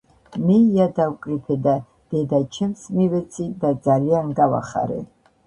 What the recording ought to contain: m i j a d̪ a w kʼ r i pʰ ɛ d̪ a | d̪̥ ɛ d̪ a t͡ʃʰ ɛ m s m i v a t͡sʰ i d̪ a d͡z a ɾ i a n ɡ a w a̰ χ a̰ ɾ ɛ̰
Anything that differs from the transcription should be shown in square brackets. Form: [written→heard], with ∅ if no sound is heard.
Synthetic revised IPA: m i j a d̪ a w kʼ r i pʰ ɛ d̪ a | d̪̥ ɛ d̪ a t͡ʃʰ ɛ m s m i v [a→ɛ] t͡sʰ i d̪ a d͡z a [ɾ→l] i a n ɡ a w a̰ χ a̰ ɾ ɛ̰